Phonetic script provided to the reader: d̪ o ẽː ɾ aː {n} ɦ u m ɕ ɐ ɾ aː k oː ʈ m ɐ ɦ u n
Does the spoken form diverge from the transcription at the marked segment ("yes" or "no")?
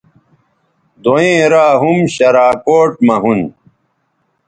yes